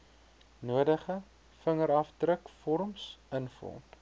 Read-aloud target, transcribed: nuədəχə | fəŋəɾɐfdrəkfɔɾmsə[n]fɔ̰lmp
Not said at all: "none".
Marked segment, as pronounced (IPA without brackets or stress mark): n